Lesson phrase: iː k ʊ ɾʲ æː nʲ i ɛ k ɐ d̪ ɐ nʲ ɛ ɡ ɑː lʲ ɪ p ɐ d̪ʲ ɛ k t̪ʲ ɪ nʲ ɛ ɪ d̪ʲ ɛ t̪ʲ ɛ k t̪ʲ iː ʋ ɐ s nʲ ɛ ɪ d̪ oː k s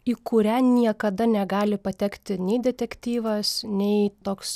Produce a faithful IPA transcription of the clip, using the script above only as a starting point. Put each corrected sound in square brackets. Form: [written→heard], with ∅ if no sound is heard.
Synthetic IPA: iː k ʊ ɾʲ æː nʲ i ɛ k ɐ d̪ ɐ nʲ ɛ ɡ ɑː lʲ ɪ p ɐ [d̪ʲ→t̪ʲ] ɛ k t̪ʲ ɪ nʲ ɛ ɪ d̪ʲ ɛ t̪ʲ ɛ k t̪ʲ iː ʋ ɐ s nʲ ɛ ɪ [d̪→t̪] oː k s